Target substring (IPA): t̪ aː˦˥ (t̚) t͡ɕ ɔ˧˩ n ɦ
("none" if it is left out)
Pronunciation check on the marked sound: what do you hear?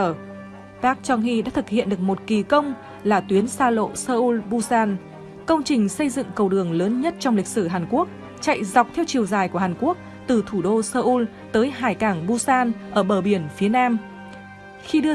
k̚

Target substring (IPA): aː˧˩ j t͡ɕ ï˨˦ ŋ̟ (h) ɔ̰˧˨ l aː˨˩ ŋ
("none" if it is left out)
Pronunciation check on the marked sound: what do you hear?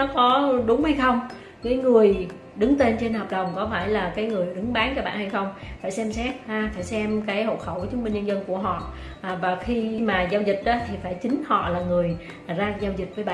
h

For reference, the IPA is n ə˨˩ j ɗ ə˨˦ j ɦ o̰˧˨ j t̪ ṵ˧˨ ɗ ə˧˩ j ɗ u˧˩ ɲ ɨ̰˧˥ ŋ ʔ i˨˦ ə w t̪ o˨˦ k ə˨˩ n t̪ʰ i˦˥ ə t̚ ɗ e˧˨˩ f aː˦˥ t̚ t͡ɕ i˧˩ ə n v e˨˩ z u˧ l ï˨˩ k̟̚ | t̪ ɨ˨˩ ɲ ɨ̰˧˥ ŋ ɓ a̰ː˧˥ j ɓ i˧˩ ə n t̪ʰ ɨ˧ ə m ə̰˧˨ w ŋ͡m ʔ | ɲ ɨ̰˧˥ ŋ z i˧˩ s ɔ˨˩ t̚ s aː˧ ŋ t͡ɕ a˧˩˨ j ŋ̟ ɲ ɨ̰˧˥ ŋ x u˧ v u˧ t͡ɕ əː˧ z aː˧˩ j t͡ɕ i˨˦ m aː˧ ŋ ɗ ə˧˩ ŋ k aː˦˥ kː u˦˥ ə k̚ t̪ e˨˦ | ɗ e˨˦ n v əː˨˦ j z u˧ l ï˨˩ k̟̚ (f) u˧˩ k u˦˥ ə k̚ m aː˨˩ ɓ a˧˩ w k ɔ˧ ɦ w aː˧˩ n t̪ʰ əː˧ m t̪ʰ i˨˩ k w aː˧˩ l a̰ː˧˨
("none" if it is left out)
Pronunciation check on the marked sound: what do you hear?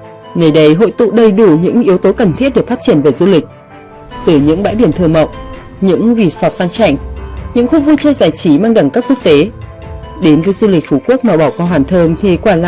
f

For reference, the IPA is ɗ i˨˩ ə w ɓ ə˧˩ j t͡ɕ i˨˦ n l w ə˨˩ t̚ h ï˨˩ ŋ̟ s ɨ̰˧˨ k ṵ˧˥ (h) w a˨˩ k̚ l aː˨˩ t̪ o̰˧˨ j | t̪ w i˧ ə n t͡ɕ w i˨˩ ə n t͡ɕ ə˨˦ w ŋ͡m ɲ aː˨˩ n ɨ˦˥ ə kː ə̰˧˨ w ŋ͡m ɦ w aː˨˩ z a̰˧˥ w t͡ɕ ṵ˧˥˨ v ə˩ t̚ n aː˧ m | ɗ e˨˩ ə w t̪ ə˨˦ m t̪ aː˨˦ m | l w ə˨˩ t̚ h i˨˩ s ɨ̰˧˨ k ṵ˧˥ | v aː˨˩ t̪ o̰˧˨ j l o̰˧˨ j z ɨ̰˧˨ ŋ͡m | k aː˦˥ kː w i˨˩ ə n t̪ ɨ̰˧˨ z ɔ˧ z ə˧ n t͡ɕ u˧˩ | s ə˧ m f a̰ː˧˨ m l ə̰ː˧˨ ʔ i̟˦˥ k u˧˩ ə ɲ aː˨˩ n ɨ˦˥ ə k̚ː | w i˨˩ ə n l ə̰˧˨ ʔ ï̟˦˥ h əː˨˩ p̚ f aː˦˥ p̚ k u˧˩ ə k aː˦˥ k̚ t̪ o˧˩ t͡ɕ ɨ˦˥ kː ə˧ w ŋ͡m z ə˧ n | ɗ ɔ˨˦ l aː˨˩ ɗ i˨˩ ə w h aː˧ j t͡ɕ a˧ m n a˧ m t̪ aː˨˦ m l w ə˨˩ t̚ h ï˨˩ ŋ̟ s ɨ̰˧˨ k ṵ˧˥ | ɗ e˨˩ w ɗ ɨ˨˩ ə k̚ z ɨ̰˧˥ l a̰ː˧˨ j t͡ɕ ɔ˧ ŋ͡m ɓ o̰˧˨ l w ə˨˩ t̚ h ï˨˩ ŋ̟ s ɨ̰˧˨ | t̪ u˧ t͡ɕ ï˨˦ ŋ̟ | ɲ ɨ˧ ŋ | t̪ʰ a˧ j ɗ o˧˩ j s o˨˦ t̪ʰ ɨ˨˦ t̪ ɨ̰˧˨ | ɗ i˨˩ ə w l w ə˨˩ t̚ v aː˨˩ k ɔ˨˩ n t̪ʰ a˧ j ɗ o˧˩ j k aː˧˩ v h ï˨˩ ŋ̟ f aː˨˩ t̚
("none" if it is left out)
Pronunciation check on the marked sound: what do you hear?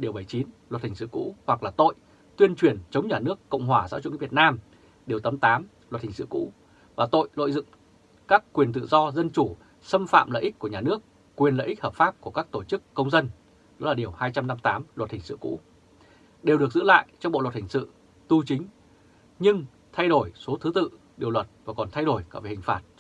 h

